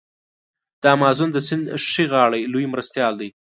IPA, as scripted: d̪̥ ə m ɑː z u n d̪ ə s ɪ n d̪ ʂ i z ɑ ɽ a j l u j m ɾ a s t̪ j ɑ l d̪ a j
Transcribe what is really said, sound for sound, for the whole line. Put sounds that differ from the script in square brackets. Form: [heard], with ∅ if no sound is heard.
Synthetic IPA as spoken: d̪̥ [ɑ] m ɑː z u n d̪ ə s ɪ n d̪ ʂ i [ɣ] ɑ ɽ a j l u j m ɾ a s t̪ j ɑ l d̪ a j